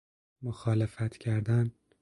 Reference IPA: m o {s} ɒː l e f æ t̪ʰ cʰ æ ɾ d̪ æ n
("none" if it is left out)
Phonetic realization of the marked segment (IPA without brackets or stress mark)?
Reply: x